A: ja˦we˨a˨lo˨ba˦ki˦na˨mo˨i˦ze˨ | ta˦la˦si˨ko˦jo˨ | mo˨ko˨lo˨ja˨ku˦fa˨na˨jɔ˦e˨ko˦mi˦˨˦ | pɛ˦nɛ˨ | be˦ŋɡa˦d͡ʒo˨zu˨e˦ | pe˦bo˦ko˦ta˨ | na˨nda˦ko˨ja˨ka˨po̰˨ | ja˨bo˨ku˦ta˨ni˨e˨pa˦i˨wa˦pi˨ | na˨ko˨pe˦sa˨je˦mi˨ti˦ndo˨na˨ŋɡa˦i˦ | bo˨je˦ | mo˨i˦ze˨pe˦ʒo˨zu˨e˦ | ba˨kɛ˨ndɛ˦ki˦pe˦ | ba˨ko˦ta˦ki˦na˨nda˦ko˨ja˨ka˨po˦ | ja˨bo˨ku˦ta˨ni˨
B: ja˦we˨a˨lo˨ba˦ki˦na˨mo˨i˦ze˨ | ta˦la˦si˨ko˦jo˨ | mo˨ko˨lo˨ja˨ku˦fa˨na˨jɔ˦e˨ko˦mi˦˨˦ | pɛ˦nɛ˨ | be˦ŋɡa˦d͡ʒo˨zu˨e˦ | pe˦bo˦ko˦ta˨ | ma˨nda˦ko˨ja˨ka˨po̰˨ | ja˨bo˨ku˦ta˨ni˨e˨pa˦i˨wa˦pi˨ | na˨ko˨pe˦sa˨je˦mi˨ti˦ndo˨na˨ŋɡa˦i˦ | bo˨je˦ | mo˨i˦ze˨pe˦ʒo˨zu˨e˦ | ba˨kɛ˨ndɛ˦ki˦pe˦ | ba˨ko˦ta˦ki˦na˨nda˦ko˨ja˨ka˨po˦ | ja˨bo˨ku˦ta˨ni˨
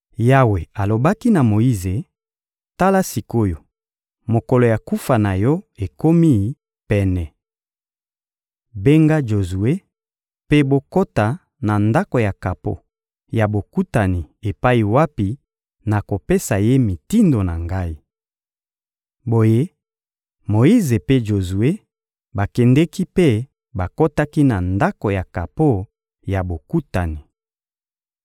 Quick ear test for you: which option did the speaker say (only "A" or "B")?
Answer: A